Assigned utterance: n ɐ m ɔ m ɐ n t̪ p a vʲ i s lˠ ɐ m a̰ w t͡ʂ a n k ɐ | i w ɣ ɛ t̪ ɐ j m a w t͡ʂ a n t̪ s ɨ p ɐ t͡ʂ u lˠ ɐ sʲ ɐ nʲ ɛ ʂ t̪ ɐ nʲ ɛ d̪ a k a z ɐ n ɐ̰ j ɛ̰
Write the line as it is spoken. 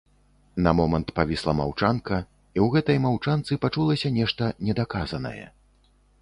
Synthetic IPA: n ɐ m ɔ m ɐ n t̪ p a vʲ i s lˠ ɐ m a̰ w t͡ʂ a n k ɐ | i w ɣ ɛ t̪ ɐ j m a w t͡ʂ a n t̪ s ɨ p a t͡ʂ u lˠ ɐ sʲ ɐ nʲ ɛ ʂ t̪ ɐ nʲ ɛ d̪ a k a z ɐ n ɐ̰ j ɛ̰